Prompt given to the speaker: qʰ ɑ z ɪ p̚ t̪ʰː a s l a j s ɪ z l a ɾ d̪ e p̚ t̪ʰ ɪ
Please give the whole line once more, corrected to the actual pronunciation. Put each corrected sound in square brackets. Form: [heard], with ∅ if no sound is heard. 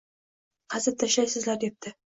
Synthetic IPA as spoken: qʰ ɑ z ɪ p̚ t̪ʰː a [ʃ] l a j s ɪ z l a ɾ d̪ e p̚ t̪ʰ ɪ